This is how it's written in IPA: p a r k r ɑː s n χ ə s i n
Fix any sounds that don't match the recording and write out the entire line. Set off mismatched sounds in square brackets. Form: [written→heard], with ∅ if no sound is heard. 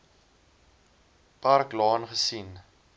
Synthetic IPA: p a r k [r→l] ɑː [s→∅] n χ ə s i n